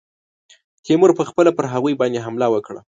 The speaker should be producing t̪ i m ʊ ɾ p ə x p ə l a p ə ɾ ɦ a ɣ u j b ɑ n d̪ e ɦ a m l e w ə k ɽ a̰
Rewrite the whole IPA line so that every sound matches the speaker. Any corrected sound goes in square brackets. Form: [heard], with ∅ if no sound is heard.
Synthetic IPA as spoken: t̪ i m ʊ ɾ p ə x p ə l a p ə ɾ ɦ a ɣ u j b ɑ n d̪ e ɦ a m l [a] w ə k ɽ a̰